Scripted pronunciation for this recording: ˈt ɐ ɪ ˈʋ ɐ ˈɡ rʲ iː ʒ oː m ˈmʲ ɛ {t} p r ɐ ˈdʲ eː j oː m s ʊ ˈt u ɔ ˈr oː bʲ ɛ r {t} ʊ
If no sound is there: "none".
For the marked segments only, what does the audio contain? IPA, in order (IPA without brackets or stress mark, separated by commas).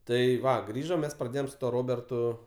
s, t